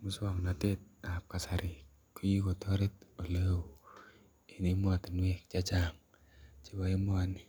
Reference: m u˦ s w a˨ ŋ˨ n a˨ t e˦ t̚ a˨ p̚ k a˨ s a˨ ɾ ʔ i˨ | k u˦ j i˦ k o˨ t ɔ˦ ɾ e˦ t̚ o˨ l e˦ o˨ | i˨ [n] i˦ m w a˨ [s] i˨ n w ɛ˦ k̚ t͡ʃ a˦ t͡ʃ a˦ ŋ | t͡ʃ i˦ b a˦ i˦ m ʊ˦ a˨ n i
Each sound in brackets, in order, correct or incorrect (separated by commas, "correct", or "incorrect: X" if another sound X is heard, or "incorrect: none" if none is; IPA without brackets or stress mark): correct, incorrect: t